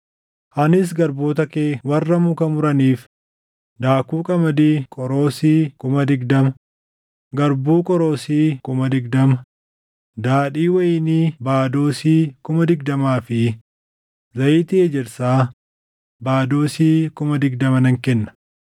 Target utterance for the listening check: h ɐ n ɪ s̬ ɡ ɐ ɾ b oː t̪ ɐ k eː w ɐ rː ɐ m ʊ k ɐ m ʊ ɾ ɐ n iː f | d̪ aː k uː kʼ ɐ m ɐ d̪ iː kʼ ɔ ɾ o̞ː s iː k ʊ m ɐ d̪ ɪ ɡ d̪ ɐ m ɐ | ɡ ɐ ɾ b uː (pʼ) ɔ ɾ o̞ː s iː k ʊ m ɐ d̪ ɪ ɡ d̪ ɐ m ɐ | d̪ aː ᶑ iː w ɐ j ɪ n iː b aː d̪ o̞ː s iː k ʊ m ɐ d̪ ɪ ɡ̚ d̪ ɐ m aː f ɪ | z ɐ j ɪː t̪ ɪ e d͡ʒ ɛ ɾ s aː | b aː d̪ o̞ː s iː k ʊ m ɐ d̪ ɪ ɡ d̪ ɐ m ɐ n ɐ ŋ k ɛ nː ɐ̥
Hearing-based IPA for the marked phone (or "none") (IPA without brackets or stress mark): kʼ